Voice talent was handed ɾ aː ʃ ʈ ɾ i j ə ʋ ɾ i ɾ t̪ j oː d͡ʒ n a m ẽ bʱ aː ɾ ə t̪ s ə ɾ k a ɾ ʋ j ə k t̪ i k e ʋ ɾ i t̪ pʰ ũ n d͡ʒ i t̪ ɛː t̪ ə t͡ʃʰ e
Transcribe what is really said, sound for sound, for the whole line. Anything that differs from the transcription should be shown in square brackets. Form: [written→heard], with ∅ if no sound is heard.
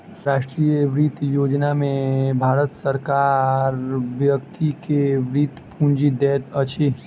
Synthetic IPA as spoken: ɾ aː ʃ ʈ ɾ i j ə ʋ ɾ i [ɾ→∅] t̪ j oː d͡ʒ n a m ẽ bʱ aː ɾ ə t̪ s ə ɾ k a ɾ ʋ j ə k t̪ i k e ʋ ɾ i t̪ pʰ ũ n d͡ʒ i [t̪→d̪] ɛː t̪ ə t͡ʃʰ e